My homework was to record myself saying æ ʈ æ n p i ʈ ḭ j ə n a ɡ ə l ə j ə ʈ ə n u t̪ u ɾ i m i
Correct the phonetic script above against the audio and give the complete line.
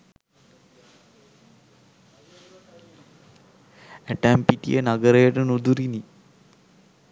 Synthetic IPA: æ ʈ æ m p i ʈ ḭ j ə n a ɡ ə ɾ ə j ə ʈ ə n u d̪ u ɾ i n i